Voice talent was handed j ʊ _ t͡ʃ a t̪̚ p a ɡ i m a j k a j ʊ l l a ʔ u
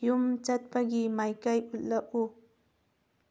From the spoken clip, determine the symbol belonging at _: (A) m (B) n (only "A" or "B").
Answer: A